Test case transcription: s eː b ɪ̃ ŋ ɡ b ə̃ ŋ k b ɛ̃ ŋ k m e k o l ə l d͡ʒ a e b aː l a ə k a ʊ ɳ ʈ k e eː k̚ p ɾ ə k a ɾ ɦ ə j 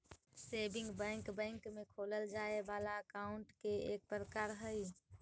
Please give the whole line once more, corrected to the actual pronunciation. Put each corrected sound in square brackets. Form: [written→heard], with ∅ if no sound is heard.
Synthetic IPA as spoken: s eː b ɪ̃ ŋ ɡ b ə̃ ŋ k b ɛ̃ ŋ k m e [k→kʰ] o l ə l d͡ʒ a e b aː l a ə k a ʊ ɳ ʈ k e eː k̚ p ɾ ə k a ɾ ɦ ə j